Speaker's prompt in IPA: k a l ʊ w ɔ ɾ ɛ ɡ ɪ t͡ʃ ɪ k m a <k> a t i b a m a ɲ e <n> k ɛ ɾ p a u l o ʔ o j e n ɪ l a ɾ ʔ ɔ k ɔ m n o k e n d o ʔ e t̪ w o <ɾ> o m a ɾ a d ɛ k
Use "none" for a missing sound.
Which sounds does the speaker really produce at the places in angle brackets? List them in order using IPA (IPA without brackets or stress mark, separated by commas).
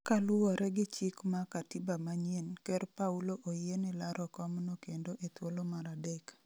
k, n, l